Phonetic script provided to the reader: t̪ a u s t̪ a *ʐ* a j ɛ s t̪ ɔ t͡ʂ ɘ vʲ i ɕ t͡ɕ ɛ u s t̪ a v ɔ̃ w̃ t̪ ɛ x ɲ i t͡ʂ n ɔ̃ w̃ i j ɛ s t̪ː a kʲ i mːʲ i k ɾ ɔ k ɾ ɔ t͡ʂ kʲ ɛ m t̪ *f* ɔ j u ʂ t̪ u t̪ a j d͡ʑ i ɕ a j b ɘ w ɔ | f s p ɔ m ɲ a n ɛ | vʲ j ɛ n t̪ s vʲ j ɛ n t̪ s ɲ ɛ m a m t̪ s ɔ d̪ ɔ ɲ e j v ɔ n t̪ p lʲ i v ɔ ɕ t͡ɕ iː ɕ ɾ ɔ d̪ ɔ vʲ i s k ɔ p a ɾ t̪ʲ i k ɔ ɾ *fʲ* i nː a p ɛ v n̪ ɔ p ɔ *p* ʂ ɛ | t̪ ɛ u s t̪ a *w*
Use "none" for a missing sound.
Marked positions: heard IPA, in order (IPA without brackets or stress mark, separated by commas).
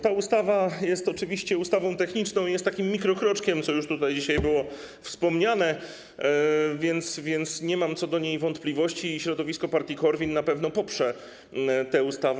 v, s, vʲ, p, v